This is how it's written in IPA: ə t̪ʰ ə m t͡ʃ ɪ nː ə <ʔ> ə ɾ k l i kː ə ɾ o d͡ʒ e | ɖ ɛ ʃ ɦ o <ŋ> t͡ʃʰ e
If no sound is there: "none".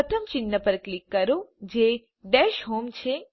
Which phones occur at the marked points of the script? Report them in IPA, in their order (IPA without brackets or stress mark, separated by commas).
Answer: p, m